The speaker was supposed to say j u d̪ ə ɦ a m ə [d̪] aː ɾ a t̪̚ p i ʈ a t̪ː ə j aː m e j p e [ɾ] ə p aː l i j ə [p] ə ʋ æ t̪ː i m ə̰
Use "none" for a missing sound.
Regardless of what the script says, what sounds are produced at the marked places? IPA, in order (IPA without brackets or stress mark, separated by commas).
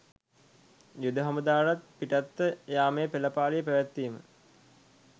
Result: d̪, l, p